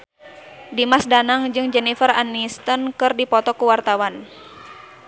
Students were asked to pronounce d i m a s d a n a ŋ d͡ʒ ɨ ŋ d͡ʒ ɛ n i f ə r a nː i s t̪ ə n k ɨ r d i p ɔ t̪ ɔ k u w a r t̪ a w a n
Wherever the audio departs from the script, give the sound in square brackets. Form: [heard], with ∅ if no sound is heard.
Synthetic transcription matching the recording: d i m a s d a n a ŋ d͡ʒ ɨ ŋ d͡ʒ ɛ n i f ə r a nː i s t̪ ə n k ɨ r d i p ɔ t̪ ɔ k u w a r t̪ a w a n

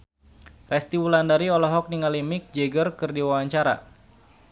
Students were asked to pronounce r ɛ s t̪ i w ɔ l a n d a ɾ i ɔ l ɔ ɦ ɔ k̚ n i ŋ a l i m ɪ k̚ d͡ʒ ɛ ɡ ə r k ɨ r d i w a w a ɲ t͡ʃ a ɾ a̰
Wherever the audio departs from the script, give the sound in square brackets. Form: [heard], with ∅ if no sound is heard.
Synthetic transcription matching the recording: r ɛ s t̪ i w [u] l a n d a ɾ i ɔ l ɔ ɦ ɔ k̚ n i ŋ a l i m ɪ k̚ d͡ʒ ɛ ɡ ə r k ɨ r d i w a w a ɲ t͡ʃ a ɾ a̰

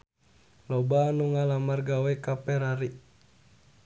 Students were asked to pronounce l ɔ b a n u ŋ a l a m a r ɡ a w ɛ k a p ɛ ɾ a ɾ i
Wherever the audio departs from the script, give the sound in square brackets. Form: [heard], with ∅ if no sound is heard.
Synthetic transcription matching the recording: l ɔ b a n u ŋ a l a m a r ɡ a w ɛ k a p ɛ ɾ a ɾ i

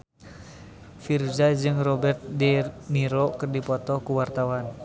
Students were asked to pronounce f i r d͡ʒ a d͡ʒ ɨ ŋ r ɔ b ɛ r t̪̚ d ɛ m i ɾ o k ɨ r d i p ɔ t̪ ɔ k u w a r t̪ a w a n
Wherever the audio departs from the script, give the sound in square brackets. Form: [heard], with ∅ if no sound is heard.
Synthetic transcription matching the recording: f i r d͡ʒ a d͡ʒ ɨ ŋ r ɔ b ɛ r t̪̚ d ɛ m i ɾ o k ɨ r d i p ɔ t̪ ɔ k u w a r t̪ a w a n

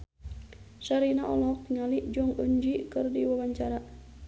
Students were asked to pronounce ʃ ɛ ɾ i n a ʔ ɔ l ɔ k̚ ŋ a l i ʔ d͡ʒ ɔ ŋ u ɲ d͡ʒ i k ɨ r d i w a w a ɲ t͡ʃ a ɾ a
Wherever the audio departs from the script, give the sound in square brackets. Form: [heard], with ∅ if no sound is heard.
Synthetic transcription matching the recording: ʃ [a] ɾ i n a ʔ ɔ l ɔ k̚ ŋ a l i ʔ d͡ʒ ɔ ŋ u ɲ d͡ʒ i k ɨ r d i w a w a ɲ t͡ʃ a ɾ a

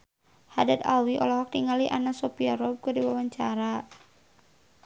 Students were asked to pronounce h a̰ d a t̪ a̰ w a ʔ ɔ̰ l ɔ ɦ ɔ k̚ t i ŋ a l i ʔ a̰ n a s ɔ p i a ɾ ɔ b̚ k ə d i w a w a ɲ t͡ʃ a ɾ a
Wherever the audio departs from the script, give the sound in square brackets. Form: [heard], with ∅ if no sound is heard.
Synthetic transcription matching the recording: h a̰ d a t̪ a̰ w [i] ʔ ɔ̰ l ɔ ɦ ɔ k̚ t i ŋ a l i ʔ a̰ n a s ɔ p i a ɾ ɔ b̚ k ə d i w a w a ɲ t͡ʃ a ɾ a

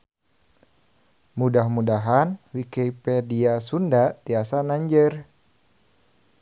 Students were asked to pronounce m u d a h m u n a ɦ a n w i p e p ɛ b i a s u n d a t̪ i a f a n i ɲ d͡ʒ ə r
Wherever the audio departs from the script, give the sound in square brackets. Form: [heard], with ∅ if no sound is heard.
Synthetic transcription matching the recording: m u d a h m u [d] a ɦ a n w i [k] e p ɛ [d] i a s u n d a t̪ i a [s] a n [a] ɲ d͡ʒ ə r

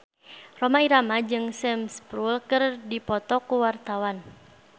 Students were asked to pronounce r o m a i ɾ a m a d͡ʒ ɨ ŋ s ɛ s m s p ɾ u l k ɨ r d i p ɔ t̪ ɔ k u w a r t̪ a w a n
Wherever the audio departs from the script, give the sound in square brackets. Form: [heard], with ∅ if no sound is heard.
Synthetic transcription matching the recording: r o m a i ɾ a m a d͡ʒ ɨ ŋ s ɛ [∅] m s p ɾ u l k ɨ r d i p ɔ t̪ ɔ k u w a r t̪ a w a n

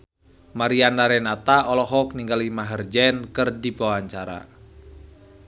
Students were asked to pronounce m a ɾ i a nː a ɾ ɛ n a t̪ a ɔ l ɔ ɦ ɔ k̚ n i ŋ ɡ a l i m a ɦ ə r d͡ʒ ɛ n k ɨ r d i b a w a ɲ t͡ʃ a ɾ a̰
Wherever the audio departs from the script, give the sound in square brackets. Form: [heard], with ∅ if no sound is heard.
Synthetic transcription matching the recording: m a ɾ i a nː a ɾ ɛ n a t̪ a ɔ l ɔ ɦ ɔ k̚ n i ŋ ɡ a l i m a ɦ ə r d͡ʒ ɛ n k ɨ r d i b a w a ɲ t͡ʃ a ɾ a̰

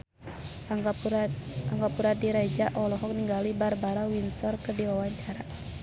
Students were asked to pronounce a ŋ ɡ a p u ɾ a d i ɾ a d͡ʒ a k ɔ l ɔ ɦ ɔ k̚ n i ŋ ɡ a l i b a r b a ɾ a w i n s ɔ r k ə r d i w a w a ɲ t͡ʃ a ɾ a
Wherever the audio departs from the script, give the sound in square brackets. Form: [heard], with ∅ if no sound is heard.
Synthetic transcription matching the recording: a ŋ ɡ a p u ɾ a d i ɾ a d͡ʒ a [ʔ] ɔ l ɔ ɦ ɔ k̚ n i ŋ ɡ a l i b a r b a ɾ a w i n s ɔ r k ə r d i w a w a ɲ t͡ʃ a ɾ a

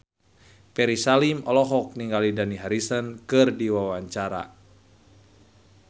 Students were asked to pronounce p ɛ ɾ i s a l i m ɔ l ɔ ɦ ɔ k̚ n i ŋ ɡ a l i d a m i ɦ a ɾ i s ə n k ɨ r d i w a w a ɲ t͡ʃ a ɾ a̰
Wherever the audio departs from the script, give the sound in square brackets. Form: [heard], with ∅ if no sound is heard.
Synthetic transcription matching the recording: p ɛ ɾ i s a l i m ɔ l ɔ ɦ ɔ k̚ n i ŋ ɡ a l i d a [n] i ɦ a ɾ i s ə n k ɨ r d i w a w a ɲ t͡ʃ a ɾ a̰

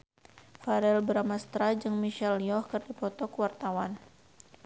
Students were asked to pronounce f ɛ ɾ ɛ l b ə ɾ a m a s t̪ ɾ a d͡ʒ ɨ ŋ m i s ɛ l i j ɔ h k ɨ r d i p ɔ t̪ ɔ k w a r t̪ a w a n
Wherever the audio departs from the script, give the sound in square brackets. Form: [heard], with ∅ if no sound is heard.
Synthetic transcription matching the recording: f [a] ɾ ɛ l b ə ɾ a m a s t̪ ɾ a d͡ʒ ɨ ŋ m i [ʃ] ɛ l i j ɔ h k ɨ r d i p ɔ t̪ ɔ k w a r t̪ a w a n

